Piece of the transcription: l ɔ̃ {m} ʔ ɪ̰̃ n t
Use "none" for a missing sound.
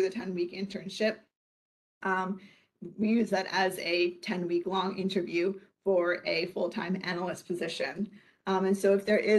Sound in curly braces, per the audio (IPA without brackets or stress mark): ŋ